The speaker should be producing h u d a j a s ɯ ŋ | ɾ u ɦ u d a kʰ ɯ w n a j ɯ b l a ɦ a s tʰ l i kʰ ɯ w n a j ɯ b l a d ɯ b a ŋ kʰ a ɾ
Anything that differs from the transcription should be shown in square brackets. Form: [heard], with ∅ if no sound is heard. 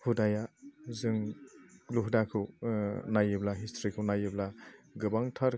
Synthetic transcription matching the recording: h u d a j a [z] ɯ ŋ | [l] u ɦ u d a kʰ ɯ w n a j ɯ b l a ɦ [i] s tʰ [ɾ] i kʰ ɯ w n a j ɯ b l a [ɡ] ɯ b a ŋ [tʰ] a ɾ